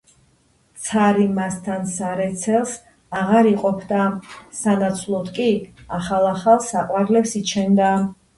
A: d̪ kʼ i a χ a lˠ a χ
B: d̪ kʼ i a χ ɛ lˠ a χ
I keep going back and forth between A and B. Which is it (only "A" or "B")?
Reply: A